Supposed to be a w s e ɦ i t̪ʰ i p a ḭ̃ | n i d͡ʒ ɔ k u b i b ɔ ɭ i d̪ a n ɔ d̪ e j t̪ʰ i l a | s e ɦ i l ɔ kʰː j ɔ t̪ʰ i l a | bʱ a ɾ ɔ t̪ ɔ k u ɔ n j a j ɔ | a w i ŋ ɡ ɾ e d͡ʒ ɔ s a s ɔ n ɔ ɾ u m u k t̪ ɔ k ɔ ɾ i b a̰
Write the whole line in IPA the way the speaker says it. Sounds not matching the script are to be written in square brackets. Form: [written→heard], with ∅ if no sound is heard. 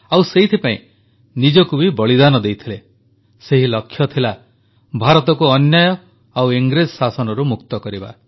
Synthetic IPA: a w s e ɦ i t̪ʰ i p a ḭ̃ | n i d͡ʒ ɔ k u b i b ɔ ɭ i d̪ a n ɔ d̪ e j t̪ʰ i l [a→e] | s e ɦ i l ɔ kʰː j ɔ t̪ʰ i l a | bʱ a ɾ ɔ t̪ ɔ k u ɔ n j a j ɔ | a w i ŋ ɡ ɾ e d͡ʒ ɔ s a s ɔ n ɔ ɾ u m u k t̪ ɔ k ɔ ɾ i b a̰